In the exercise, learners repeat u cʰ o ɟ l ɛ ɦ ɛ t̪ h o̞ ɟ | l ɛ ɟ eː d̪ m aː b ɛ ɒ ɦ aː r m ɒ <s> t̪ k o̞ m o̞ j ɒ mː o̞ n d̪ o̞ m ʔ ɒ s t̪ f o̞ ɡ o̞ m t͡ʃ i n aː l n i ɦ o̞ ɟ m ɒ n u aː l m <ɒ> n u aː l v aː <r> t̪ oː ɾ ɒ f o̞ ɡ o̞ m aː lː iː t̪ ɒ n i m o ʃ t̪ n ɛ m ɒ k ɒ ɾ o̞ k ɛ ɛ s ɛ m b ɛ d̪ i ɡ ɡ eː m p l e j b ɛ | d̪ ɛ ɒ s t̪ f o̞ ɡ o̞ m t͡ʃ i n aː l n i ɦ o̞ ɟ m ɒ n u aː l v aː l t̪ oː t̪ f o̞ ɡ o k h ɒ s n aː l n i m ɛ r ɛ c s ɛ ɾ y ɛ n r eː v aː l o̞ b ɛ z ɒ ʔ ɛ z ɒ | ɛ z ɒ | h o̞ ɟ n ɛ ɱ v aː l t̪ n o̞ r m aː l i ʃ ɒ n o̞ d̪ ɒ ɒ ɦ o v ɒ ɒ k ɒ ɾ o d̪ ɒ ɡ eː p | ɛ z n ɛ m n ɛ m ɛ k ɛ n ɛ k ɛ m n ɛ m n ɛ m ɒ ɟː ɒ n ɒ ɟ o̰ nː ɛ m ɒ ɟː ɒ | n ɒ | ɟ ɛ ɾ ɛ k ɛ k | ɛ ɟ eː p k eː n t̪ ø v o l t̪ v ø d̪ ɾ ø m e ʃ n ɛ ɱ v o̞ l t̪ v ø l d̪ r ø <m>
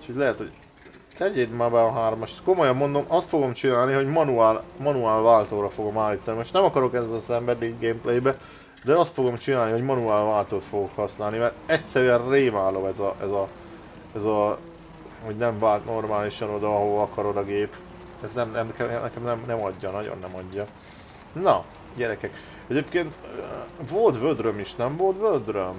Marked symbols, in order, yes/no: no, yes, no, yes

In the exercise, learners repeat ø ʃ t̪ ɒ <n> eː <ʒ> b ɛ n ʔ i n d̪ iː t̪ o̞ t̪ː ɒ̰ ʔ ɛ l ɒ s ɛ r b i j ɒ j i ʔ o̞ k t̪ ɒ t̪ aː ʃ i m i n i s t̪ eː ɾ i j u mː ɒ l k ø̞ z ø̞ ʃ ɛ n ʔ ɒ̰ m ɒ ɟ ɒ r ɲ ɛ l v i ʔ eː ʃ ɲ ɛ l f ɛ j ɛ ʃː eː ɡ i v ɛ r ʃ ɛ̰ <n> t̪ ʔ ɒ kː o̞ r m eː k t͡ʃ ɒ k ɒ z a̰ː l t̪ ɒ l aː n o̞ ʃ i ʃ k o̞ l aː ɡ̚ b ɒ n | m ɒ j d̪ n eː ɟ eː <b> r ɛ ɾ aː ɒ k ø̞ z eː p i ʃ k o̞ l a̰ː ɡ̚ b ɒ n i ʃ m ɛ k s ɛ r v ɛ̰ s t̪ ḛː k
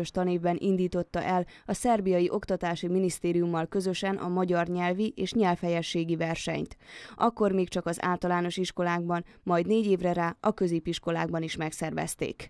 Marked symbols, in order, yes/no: yes, no, no, no

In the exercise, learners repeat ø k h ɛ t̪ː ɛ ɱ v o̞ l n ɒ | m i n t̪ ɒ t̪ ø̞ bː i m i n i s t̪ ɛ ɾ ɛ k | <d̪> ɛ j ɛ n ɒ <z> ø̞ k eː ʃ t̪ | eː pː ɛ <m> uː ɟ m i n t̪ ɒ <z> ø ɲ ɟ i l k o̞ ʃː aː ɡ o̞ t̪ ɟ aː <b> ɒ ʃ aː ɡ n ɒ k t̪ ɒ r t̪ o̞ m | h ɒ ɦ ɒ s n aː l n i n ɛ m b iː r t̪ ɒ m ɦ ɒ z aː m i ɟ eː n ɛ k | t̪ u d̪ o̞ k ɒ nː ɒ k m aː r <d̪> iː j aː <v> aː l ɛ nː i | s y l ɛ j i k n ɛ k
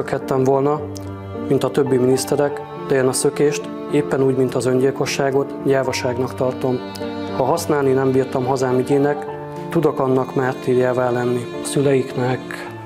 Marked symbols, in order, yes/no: yes, no, no, yes, no, no, yes

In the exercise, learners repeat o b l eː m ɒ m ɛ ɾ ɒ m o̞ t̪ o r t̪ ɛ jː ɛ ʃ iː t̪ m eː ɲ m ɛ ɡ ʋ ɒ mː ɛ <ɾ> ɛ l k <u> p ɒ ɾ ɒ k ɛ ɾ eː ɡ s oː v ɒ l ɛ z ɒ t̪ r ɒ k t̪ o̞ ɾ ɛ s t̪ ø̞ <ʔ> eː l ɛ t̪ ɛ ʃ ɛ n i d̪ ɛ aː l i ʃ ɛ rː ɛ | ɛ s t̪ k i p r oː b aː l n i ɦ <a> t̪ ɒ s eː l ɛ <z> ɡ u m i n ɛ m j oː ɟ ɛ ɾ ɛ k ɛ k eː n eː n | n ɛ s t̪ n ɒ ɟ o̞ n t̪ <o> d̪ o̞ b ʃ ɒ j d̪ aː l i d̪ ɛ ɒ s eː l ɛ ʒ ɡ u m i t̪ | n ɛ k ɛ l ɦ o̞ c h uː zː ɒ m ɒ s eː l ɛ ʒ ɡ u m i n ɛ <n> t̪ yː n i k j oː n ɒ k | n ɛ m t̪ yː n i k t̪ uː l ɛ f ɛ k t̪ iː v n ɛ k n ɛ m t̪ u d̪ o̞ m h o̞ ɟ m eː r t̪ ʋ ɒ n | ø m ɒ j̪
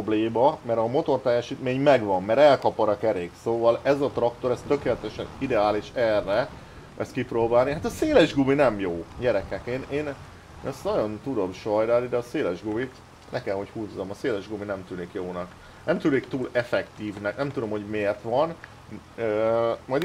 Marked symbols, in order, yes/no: yes, no, no, yes, no, no, no

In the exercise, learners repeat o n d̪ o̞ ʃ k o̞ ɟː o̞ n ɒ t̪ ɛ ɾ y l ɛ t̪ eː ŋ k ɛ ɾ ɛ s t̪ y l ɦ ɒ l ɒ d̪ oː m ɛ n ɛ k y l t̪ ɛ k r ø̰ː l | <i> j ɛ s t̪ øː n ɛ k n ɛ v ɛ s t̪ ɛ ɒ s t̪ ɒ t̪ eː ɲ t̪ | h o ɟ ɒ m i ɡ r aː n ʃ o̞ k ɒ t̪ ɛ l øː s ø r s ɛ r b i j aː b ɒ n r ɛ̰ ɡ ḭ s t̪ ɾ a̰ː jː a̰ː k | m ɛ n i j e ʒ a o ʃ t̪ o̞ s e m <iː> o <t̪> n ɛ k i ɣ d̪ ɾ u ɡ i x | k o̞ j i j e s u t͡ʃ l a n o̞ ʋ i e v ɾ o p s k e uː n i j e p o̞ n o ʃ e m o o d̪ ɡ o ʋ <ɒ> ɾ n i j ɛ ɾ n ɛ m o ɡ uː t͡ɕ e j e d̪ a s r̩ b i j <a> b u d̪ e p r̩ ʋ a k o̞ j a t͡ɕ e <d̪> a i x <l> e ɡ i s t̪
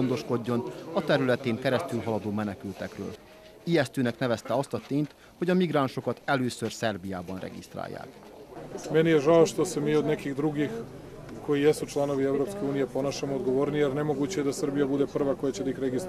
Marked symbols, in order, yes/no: yes, yes, no, no, yes, yes, no

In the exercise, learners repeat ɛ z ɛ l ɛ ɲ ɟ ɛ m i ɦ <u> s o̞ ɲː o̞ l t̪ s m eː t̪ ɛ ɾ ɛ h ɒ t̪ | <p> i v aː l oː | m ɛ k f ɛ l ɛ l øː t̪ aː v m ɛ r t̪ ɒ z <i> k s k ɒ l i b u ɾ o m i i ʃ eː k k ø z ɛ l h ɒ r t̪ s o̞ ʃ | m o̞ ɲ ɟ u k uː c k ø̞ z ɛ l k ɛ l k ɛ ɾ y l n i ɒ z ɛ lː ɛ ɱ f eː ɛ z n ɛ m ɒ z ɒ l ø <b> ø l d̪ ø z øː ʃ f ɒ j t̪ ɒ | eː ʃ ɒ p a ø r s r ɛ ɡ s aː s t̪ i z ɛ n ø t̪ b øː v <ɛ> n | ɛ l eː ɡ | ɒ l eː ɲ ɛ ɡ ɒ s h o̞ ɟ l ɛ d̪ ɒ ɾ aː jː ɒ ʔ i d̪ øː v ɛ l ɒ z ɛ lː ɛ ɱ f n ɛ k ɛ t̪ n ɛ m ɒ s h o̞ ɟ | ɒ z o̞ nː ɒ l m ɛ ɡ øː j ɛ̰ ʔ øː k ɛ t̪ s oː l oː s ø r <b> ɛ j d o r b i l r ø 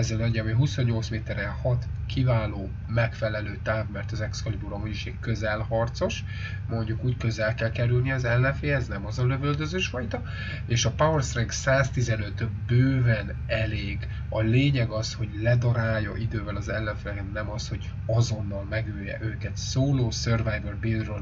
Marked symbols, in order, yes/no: yes, no, no, no, yes, no

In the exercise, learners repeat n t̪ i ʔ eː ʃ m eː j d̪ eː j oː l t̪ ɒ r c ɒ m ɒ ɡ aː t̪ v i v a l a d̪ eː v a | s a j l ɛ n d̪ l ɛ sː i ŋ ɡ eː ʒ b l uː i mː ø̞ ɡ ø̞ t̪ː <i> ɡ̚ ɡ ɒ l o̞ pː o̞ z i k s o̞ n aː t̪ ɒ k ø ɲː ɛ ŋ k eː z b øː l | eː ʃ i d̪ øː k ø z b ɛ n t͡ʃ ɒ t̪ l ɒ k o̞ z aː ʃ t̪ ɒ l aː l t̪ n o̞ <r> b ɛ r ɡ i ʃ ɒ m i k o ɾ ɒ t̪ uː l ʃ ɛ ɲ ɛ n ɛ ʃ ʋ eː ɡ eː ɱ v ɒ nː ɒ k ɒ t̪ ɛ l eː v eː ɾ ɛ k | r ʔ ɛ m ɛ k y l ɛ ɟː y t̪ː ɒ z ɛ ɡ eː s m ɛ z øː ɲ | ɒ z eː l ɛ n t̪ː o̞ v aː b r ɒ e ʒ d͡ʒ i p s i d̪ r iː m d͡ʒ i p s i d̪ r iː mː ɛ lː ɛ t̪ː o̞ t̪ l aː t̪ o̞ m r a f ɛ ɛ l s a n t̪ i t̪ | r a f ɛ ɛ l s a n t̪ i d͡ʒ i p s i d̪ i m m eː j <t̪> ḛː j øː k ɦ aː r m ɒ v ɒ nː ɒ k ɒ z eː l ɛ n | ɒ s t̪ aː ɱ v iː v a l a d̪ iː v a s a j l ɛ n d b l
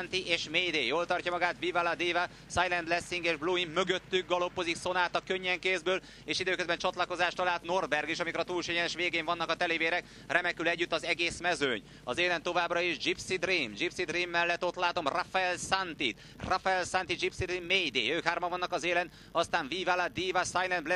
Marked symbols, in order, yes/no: no, yes, no

